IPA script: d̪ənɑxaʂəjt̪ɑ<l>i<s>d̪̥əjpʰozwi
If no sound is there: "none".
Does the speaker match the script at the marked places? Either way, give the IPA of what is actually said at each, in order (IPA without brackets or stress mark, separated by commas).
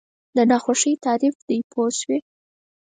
ɾ, f